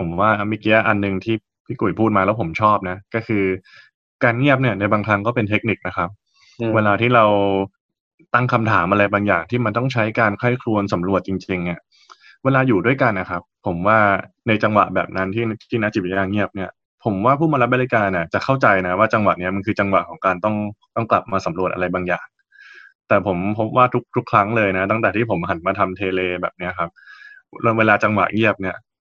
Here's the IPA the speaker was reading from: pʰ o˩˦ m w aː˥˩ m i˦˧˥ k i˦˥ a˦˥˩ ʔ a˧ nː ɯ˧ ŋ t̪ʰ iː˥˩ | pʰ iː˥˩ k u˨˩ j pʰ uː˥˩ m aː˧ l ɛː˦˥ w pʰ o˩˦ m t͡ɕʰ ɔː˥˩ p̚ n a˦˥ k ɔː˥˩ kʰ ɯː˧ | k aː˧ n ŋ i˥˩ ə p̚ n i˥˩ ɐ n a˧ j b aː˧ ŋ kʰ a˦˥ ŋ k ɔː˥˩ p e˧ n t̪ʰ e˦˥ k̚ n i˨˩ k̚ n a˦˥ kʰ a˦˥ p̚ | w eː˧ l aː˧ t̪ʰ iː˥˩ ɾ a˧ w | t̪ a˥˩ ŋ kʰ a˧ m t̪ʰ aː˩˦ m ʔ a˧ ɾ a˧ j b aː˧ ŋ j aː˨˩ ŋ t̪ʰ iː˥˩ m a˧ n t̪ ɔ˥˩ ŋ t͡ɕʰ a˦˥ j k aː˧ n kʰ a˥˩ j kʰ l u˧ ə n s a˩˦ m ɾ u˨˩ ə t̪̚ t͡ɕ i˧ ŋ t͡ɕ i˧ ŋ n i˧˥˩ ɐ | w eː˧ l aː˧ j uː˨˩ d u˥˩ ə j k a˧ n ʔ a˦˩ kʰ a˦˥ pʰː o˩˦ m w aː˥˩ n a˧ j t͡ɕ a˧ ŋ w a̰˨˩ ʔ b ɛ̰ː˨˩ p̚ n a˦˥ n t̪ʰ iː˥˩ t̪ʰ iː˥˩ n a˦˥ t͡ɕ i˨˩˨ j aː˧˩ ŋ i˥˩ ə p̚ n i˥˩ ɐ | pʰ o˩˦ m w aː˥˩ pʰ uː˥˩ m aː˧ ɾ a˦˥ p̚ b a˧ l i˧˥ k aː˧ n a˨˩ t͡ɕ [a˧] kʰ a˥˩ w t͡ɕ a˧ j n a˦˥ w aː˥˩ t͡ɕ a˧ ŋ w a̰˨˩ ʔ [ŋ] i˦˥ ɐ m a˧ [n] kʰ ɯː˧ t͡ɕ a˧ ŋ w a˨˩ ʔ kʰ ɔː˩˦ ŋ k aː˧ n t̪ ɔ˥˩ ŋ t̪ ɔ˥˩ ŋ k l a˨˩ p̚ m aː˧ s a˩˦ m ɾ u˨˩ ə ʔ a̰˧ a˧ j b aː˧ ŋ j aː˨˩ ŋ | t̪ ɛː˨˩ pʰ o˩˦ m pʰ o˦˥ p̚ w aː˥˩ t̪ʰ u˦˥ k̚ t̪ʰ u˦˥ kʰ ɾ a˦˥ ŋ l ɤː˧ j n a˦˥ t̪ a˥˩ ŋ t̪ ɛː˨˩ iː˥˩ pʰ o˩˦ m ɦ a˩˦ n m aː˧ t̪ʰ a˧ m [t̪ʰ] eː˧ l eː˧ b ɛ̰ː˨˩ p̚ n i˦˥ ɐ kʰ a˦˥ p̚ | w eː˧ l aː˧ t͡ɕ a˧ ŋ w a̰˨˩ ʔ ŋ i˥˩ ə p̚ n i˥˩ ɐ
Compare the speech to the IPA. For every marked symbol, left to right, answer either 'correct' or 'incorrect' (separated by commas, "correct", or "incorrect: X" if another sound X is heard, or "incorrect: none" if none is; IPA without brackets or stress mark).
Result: incorrect: a˨˩, incorrect: n, correct, correct